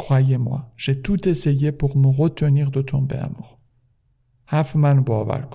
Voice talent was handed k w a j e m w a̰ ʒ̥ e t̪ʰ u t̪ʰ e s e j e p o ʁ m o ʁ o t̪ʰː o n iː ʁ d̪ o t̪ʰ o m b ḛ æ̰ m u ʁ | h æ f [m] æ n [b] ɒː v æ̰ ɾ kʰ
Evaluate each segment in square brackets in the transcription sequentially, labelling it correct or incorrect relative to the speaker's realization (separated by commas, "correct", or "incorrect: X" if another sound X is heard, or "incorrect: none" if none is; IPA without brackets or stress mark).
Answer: correct, correct